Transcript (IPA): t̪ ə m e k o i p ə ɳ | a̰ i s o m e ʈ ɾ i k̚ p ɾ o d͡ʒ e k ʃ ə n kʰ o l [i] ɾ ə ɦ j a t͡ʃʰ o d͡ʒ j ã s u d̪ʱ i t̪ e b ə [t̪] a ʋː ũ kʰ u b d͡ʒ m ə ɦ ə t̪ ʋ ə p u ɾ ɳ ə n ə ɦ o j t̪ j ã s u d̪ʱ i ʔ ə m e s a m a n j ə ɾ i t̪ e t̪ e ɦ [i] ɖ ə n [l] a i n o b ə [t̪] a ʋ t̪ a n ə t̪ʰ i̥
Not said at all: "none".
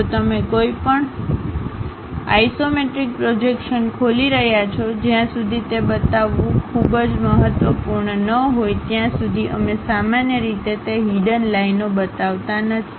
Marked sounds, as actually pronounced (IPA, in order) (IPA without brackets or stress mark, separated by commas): i, t̪, i, l, t̪